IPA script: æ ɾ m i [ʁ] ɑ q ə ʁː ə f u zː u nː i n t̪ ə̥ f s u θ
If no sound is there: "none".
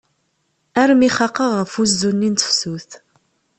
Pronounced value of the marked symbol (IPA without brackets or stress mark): χ